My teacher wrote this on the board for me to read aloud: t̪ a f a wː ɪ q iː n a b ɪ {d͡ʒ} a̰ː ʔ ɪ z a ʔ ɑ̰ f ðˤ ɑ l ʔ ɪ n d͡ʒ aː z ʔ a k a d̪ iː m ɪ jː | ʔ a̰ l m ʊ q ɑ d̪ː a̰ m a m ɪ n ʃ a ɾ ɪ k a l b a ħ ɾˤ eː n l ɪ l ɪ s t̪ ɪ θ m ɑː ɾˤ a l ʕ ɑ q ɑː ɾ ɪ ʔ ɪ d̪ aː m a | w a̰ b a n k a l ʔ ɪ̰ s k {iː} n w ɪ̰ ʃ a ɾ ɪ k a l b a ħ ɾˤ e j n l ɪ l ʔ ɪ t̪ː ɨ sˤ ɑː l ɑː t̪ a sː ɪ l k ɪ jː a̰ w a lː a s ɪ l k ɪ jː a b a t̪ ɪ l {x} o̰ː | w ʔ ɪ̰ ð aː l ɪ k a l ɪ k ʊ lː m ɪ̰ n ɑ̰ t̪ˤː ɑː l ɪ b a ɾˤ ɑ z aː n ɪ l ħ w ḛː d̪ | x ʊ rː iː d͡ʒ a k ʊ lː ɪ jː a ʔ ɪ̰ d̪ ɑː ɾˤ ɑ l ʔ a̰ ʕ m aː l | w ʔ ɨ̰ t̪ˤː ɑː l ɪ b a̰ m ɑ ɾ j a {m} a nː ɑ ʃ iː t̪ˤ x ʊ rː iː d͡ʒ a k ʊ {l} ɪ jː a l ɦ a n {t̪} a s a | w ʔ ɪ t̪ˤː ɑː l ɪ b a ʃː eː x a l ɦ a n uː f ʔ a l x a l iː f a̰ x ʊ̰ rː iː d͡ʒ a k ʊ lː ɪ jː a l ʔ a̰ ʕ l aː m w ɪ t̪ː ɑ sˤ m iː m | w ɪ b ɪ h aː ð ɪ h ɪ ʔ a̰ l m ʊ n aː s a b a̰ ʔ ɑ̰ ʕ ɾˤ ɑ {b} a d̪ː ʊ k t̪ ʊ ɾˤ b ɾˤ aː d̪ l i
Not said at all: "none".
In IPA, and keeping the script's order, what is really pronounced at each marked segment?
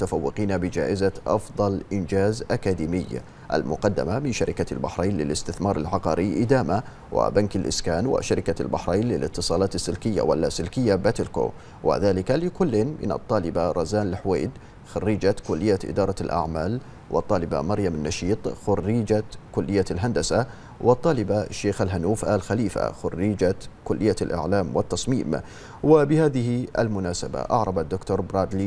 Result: d͡ʒ, aː, k, m, lː, d̪, b

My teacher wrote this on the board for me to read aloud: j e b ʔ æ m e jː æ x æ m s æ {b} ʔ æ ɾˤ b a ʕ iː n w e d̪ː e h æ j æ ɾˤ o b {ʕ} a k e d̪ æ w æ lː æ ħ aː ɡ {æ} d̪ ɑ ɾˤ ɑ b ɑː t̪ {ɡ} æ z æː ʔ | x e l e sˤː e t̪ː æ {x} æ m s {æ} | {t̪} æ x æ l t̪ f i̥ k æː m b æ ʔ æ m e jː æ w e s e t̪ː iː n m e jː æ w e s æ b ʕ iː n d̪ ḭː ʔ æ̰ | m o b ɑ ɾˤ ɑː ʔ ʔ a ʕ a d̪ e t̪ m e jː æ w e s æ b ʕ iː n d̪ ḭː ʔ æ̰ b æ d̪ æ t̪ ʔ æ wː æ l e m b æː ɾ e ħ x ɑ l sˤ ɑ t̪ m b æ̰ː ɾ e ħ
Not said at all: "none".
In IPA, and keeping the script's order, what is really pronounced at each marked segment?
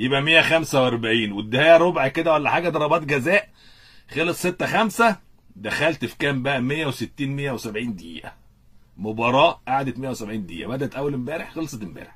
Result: w, ʕ, æ, ɡ, x, æ, d̪

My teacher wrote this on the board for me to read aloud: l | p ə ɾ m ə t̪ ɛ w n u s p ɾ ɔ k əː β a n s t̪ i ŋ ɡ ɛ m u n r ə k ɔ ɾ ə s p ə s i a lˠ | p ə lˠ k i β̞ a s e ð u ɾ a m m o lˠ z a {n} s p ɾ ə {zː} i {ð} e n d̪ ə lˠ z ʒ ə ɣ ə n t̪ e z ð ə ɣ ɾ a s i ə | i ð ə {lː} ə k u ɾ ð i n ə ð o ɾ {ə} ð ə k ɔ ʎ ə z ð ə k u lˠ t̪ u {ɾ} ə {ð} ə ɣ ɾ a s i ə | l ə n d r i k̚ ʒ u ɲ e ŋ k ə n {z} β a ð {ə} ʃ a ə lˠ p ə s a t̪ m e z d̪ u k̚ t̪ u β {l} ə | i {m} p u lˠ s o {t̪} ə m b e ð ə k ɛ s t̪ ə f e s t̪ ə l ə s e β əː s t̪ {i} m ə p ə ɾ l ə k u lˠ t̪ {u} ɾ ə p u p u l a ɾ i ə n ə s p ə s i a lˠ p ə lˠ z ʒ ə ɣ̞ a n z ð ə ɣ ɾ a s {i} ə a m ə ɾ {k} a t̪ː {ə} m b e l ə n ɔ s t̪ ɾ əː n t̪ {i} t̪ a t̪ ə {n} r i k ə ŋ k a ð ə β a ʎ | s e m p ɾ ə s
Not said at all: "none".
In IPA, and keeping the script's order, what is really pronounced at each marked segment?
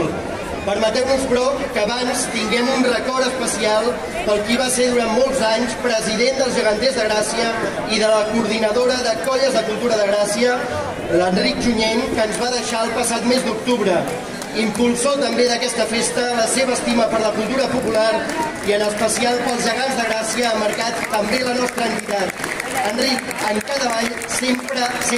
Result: ɲ, z, ð, l, ə, ɾ, ð, z, ə, ɾ, m, t̪, i, u, i, k, ə, i, n

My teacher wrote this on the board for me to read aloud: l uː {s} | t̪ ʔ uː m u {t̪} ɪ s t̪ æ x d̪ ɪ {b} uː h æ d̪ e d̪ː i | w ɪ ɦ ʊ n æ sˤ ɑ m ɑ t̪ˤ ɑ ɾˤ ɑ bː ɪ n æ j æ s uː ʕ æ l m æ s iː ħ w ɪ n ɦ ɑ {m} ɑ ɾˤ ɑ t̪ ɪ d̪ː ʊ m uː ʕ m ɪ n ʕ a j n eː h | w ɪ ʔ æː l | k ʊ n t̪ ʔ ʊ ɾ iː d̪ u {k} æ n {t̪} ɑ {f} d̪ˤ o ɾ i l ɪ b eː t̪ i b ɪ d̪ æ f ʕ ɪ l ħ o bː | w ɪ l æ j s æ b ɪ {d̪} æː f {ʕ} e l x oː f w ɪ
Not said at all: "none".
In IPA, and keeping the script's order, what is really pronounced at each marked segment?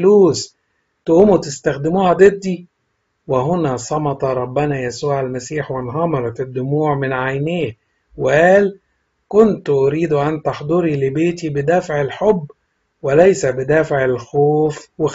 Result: s, t̪, m, m, ʔ, t̪, ħ, d̪, ʕ

